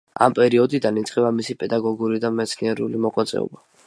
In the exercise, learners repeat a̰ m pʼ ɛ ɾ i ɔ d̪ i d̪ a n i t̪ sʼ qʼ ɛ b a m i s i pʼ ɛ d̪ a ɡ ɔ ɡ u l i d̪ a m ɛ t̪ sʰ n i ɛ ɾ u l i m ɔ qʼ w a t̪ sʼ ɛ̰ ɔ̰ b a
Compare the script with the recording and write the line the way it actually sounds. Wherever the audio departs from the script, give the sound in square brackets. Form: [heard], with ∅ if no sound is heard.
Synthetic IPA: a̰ m pʼ ɛ ɾ i ɔ d̪ i d̪ a n i t̪ sʼ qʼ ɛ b a m i s i pʼ ɛ d̪ a ɡ ɔ ɡ u [ɾ] i d̪ a m ɛ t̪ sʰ n i ɛ ɾ u l i m ɔ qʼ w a t̪ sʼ ɛ̰ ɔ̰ b a